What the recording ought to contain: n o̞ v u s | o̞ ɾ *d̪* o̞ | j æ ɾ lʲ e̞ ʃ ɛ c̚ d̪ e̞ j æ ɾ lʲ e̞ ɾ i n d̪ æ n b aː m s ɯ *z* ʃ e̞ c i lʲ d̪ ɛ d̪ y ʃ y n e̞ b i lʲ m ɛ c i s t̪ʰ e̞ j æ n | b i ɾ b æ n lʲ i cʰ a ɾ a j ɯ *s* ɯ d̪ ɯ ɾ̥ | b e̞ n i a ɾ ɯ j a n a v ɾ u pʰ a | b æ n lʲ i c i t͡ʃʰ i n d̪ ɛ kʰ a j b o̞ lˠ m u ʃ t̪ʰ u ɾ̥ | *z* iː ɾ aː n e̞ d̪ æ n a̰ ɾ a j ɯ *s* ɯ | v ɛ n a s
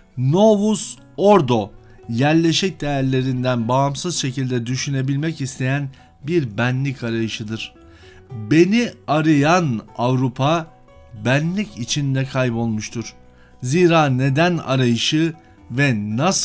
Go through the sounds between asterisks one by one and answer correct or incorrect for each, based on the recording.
correct, correct, incorrect, correct, incorrect

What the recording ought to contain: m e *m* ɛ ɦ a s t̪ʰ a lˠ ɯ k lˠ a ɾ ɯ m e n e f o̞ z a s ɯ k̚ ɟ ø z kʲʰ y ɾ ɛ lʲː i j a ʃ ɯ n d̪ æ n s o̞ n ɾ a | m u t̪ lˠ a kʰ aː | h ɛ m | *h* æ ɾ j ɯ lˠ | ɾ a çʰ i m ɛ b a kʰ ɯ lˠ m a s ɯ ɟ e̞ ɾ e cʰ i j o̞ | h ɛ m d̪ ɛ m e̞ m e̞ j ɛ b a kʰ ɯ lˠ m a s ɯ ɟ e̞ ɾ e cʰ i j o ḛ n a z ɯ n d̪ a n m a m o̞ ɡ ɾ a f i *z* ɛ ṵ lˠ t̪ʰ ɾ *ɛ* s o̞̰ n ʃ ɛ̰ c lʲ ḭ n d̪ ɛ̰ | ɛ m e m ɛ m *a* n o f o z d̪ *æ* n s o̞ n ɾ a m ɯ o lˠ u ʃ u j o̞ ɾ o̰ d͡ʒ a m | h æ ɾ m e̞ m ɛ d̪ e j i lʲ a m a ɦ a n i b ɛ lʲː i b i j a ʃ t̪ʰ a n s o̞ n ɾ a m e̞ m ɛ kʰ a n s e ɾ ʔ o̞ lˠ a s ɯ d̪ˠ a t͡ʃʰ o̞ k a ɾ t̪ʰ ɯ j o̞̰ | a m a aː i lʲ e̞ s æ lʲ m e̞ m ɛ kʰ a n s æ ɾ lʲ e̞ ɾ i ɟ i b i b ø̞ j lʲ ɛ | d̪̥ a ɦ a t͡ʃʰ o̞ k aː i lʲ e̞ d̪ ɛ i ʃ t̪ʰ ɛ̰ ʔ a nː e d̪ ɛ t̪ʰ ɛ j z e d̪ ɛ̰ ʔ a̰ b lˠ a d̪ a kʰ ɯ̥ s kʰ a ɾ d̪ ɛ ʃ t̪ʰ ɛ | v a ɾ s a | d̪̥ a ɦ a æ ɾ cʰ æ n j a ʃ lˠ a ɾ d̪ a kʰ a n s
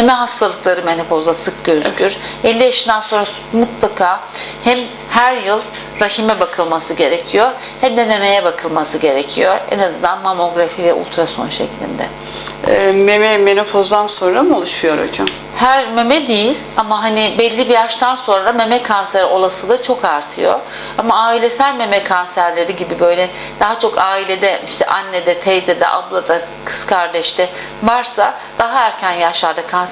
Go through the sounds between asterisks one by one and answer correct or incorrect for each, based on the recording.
correct, correct, incorrect, incorrect, incorrect, incorrect

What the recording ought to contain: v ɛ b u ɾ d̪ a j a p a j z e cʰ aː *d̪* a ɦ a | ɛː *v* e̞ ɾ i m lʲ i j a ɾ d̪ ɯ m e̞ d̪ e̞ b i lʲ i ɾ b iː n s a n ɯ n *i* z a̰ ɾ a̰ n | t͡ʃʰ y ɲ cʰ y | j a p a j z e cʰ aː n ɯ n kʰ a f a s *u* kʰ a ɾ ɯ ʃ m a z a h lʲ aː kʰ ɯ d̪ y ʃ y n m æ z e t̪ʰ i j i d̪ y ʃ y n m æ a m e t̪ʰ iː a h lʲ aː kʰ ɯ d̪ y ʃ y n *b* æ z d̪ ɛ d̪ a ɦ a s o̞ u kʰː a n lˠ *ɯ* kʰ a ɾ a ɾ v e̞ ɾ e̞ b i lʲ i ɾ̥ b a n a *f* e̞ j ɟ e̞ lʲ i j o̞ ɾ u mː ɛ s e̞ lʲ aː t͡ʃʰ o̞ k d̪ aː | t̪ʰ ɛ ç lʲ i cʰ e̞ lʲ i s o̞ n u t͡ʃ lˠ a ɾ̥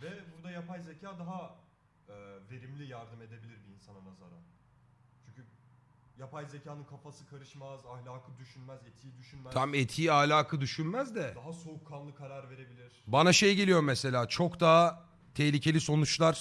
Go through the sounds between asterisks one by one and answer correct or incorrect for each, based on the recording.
correct, correct, incorrect, incorrect, incorrect, correct, incorrect

